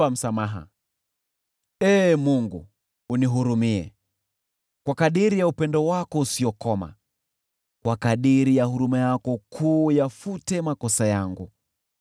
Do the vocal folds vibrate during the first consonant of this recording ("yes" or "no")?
yes